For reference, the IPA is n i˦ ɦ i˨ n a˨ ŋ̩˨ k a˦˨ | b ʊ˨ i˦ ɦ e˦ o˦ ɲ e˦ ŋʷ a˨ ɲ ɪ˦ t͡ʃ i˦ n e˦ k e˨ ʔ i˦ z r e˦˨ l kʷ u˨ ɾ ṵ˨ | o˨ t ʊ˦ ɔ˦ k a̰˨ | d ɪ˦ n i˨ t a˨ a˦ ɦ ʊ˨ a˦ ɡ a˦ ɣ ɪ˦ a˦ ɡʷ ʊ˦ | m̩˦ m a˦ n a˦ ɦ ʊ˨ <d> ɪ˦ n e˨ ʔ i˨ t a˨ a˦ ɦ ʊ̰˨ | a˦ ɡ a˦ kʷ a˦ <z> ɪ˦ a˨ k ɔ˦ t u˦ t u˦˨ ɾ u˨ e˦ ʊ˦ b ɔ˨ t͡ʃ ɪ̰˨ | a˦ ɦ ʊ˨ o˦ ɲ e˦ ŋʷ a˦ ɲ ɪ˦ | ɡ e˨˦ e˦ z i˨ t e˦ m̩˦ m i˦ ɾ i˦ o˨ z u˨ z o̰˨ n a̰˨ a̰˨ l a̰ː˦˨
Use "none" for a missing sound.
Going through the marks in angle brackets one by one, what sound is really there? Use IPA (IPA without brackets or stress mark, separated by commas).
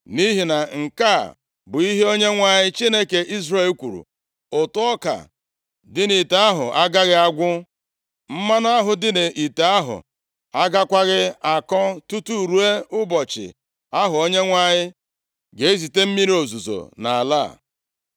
d, ɣ